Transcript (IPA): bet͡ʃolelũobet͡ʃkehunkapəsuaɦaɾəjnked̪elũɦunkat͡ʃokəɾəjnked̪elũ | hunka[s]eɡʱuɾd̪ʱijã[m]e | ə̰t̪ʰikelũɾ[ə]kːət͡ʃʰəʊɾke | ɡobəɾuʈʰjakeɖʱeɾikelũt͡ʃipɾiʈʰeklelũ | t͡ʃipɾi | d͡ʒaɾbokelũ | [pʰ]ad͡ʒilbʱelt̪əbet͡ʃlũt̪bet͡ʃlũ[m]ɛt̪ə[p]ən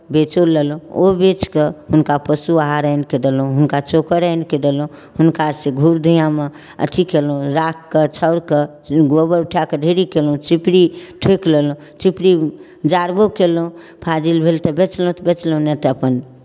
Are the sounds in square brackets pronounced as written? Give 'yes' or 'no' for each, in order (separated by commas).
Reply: yes, yes, no, yes, no, yes